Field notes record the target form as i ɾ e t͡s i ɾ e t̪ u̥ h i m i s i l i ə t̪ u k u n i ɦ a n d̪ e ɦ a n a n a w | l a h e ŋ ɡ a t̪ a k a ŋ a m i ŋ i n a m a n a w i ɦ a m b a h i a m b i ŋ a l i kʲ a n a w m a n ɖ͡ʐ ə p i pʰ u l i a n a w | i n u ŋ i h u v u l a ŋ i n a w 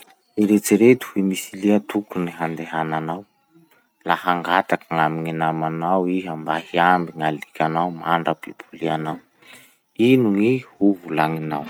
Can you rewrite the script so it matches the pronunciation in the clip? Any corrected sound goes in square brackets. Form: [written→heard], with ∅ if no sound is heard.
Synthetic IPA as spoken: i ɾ e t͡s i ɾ e t̪ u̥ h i m i s i l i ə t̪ u k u n i ɦ a n d̪ e ɦ a n a n a w | l a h [e→a] ŋ ɡ a t̪ a k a ŋ a m i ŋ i n a m a n a w i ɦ a m b a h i a m b i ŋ a l i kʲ a n a w m a [n→ɳ] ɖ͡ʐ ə p i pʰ u l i a n a w | i n u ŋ i h u v u l a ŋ i n a w